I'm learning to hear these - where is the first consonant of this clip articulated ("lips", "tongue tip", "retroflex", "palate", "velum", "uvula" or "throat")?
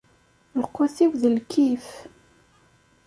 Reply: tongue tip